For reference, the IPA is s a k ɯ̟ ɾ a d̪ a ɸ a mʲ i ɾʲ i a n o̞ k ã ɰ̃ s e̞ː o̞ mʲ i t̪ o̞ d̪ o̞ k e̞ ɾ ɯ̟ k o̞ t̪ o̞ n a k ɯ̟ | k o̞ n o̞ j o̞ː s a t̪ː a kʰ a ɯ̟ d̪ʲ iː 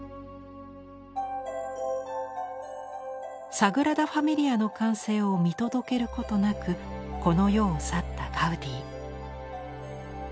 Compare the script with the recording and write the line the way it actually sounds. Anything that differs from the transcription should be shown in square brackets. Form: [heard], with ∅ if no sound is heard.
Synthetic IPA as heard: s a [ɡ] ɯ̟ ɾ a d̪ a ɸ a mʲ i ɾʲ i a n o̞ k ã ɰ̃ s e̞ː o̞ mʲ i t̪ o̞ d̪ o̞ k e̞ ɾ ɯ̟ k o̞ t̪ o̞ n a k ɯ̟ | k o̞ n o̞ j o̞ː s a t̪ː a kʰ a ɯ̟ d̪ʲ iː